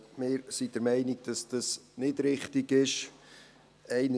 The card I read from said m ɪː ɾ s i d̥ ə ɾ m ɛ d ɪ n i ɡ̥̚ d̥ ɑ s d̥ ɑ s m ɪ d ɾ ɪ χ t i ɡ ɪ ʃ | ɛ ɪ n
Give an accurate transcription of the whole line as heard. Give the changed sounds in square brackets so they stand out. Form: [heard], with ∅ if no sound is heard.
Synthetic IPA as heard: m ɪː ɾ s i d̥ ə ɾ m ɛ [∅] ɪ n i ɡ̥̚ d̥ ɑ s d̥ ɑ s [n] ɪ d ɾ ɪ χ t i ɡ ɪ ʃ | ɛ ɪ n